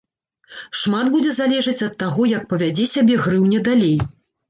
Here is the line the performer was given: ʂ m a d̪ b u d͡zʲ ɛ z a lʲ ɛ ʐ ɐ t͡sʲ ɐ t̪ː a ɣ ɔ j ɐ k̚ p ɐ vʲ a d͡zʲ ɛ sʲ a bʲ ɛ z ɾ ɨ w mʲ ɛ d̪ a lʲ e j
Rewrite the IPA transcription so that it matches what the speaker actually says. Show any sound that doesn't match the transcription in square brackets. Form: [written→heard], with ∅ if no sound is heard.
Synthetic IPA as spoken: ʂ m a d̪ b u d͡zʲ ɛ z a lʲ ɛ ʐ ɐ t͡sʲ ɐ t̪ː a ɣ ɔ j ɐ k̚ p ɐ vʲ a d͡zʲ ɛ sʲ a bʲ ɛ [z→ɣ] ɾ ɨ w [mʲ→nʲ] ɛ d̪ a lʲ e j

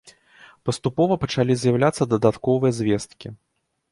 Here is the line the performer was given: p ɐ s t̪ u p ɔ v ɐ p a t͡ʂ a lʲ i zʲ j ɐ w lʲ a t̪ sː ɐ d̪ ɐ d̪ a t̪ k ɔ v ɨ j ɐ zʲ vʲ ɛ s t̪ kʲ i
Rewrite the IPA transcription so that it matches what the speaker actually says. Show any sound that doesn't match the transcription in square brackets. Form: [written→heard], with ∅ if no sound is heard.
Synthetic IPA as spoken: p ɐ s t̪ u p ɔ v ɐ p [a→ɐ] t͡ʂ a lʲ i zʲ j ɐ w lʲ a t̪ sː ɐ d̪ ɐ d̪ a t̪ k ɔ v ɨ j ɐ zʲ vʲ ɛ s t̪ kʲ i

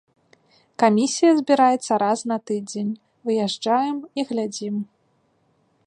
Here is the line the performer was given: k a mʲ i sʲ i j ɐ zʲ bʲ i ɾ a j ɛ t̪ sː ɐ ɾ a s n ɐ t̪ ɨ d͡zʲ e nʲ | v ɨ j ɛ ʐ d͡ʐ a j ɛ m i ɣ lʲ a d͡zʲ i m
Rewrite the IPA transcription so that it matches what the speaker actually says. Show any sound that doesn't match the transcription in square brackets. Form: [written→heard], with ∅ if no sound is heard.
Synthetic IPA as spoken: k a mʲ i sʲ i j ɐ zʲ bʲ i ɾ a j ɛ t̪ sː ɐ ɾ a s n ɐ t̪ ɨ d͡zʲ e nʲ | v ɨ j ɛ ʐ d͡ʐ a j ɛ m i ɣ lʲ a d͡zʲ i m

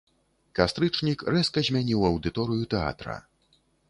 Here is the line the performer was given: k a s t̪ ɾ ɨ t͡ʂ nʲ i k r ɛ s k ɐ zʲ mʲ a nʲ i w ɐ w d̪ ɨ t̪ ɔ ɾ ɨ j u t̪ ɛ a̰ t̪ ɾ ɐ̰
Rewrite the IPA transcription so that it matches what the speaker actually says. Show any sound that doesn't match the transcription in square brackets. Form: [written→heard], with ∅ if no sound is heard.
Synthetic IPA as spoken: k a s t̪ ɾ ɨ t͡ʂ nʲ i k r ɛ s k ɐ zʲ mʲ a nʲ i w ɐ w d̪ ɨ t̪ ɔ ɾ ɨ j u t̪ ɛ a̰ t̪ ɾ ɐ̰

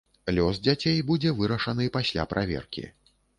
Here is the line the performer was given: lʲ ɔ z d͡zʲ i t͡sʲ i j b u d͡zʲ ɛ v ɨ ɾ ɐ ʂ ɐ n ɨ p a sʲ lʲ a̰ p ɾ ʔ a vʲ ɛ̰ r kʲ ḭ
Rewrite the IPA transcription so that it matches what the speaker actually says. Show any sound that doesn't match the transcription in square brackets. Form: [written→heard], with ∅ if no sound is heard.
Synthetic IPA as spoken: lʲ ɔ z d͡zʲ [i→a] t͡sʲ [i→e] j b u d͡zʲ ɛ v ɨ ɾ ɐ ʂ ɐ n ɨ p a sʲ lʲ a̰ p ɾ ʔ a vʲ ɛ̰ r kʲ ḭ

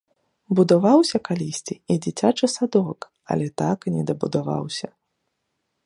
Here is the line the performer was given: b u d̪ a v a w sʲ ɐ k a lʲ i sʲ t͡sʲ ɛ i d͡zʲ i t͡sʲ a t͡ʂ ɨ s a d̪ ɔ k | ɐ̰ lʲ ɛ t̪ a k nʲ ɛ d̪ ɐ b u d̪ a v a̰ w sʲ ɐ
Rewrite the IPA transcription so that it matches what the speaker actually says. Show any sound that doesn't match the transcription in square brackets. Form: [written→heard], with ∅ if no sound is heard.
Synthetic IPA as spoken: b u d̪ a v a w sʲ ɐ k a lʲ i sʲ t͡sʲ [ɛ→i] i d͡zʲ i t͡sʲ a t͡ʂ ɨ s a d̪ ɔ k | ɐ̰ lʲ ɛ t̪ a k nʲ ɛ d̪ ɐ b u d̪ a v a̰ w sʲ ɐ

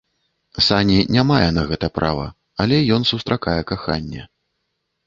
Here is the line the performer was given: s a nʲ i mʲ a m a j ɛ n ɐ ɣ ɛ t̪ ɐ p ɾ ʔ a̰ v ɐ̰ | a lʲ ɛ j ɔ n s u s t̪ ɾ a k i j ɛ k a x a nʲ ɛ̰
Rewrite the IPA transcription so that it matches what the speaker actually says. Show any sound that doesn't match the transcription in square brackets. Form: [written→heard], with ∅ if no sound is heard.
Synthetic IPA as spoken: s a nʲ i [mʲ→nʲ] a m a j ɛ n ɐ ɣ ɛ t̪ ɐ p ɾ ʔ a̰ v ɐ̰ | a lʲ ɛ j ɔ n s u s t̪ ɾ a k [i→a] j ɛ k a x a [nʲ→nʲː] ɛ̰

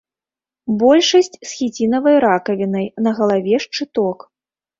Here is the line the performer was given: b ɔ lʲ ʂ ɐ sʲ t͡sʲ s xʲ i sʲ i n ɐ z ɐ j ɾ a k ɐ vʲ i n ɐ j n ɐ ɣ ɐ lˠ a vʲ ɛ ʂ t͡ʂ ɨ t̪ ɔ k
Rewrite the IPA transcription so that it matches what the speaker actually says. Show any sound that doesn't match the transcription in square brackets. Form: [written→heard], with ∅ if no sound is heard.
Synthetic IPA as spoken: b ɔ lʲ ʂ ɐ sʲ t͡sʲ s xʲ i [sʲ→t͡sʲ] i n ɐ [z→v] ɐ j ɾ a k ɐ vʲ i n ɐ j n ɐ ɣ ɐ lˠ a vʲ ɛ ʂ t͡ʂ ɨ t̪ ɔ k

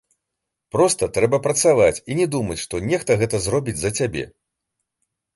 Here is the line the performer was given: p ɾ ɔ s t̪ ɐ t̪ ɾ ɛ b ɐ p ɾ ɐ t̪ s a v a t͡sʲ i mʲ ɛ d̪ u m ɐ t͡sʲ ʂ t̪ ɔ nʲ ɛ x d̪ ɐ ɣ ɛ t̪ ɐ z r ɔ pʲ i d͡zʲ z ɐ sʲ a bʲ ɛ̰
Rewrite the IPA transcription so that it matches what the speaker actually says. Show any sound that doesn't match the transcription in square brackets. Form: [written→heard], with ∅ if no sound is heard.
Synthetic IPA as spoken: p ɾ ɔ s t̪ ɐ t̪ ɾ ɛ b ɐ p ɾ ɐ t̪ s a v a t͡sʲ i [mʲ→nʲ] ɛ d̪ u m ɐ t͡sʲ ʂ t̪ ɔ nʲ ɛ x [d̪→t̪] ɐ ɣ ɛ t̪ ɐ z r ɔ [pʲ→bʲ] i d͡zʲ z ɐ [sʲ→t͡sʲ] a bʲ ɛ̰

